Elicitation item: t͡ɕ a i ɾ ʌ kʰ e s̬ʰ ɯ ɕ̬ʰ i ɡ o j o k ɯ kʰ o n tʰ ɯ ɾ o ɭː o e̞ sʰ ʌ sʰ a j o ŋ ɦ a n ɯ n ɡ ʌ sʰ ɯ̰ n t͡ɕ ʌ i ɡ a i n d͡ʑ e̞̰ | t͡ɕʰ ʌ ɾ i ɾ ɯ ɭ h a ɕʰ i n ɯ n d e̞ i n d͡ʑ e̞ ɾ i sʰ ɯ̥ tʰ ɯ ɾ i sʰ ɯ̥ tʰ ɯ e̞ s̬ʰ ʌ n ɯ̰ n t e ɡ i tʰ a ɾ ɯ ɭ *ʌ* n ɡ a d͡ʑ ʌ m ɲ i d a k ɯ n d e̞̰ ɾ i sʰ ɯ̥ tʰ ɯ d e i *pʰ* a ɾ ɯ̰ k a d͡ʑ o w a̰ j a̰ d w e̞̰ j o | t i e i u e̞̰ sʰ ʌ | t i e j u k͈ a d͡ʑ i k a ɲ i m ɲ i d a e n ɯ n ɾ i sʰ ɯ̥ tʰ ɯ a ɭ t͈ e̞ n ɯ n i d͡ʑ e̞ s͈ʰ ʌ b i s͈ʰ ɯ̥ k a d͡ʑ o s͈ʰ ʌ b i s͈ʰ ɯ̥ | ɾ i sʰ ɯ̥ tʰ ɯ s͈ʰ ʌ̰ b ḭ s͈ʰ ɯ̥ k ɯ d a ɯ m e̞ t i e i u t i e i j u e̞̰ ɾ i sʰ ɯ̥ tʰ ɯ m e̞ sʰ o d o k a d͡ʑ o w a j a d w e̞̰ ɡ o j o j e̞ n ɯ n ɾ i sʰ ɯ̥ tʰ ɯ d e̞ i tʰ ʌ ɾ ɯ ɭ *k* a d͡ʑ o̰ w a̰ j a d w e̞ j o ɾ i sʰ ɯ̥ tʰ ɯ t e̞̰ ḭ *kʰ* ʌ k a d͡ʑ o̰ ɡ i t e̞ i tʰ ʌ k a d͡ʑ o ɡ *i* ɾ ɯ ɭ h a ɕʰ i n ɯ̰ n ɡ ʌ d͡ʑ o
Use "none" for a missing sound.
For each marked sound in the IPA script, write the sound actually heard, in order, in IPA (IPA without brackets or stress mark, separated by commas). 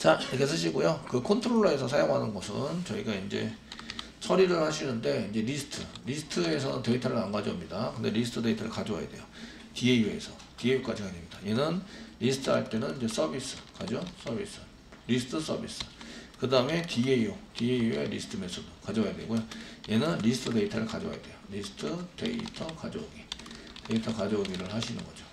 a, tʰ, k, tʰ, i